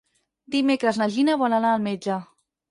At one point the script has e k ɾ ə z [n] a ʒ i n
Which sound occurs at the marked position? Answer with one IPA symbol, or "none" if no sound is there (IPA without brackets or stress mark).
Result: n